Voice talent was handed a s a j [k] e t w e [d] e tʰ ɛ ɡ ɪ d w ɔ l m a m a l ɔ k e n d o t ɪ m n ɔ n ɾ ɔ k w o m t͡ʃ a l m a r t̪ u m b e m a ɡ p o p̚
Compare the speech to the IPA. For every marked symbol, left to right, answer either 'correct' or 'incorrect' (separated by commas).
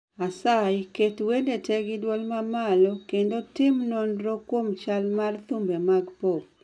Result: correct, correct